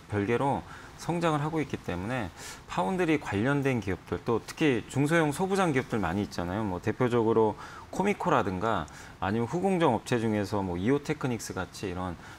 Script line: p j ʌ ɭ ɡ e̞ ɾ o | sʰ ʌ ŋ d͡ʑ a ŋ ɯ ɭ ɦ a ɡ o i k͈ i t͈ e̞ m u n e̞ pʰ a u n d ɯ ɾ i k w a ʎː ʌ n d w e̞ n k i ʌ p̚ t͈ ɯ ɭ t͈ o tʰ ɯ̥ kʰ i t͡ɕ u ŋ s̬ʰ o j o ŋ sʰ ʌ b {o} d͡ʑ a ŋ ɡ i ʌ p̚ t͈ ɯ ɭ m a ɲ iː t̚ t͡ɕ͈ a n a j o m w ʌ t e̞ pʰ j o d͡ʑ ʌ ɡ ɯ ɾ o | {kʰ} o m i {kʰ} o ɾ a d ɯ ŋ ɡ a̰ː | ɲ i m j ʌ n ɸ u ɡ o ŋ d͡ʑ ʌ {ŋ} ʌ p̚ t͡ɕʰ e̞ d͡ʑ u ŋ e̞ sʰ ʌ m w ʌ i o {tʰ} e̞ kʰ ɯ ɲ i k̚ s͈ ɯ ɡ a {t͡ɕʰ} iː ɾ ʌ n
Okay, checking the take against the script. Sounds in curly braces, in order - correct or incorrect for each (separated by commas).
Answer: incorrect, correct, correct, correct, correct, correct